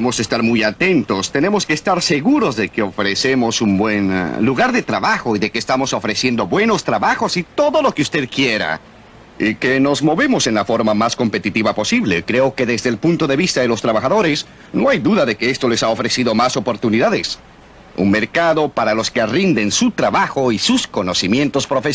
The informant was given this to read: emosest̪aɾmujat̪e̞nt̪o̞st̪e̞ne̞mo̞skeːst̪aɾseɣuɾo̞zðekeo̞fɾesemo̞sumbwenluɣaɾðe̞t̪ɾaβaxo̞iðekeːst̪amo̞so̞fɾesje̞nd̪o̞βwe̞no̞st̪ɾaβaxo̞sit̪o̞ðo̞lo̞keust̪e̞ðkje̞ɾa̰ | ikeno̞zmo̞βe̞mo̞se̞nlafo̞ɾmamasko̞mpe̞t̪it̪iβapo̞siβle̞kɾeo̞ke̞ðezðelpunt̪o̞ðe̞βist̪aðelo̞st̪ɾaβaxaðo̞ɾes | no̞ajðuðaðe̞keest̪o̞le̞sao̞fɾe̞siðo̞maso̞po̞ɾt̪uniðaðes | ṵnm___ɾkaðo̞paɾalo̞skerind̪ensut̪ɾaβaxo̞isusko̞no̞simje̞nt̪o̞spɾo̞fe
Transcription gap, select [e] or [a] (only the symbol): e